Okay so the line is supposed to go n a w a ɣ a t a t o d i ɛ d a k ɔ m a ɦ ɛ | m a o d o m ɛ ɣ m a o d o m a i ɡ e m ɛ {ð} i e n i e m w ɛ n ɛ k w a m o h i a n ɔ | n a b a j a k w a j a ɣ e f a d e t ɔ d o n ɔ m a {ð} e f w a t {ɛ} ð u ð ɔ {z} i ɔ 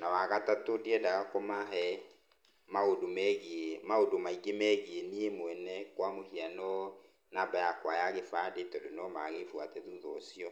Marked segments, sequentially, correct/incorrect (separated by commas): incorrect, incorrect, correct, incorrect